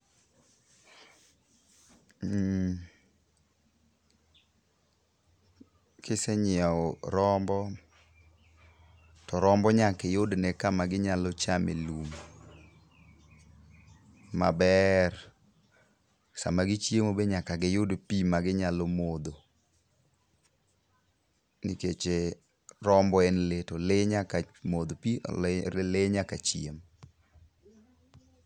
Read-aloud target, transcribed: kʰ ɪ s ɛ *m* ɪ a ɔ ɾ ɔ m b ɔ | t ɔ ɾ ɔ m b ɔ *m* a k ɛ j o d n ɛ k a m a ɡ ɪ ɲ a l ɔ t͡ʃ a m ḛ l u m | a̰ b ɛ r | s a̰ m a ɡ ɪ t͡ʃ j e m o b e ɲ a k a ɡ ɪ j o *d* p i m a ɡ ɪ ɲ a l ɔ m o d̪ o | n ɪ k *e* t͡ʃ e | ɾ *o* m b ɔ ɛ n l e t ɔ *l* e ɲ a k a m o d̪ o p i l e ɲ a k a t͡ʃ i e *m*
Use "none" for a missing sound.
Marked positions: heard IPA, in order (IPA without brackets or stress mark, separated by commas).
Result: ɲ, ɲ, d, e, ɔ, l, m